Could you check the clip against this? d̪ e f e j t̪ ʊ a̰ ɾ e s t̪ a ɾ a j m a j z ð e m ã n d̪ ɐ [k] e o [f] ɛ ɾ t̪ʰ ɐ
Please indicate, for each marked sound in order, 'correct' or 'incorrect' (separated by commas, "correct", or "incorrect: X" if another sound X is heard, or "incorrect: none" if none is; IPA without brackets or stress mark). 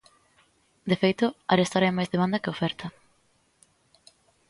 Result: correct, correct